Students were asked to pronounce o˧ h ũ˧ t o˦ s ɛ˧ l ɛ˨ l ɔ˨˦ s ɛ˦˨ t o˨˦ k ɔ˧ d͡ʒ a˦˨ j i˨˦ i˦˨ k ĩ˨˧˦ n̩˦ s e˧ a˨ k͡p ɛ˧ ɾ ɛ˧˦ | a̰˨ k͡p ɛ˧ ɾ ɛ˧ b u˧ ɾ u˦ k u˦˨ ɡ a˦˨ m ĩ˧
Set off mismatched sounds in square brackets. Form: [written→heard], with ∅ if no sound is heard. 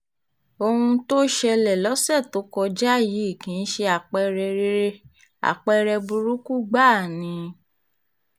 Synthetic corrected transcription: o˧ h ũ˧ t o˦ [s→ʃ] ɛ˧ l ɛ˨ l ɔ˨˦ s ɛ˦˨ t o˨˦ k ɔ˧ d͡ʒ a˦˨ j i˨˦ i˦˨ k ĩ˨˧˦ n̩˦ [s→ʃ] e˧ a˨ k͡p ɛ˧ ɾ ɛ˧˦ | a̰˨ k͡p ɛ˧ ɾ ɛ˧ b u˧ ɾ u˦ k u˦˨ [ɡ→ɡ͡b] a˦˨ [m→n] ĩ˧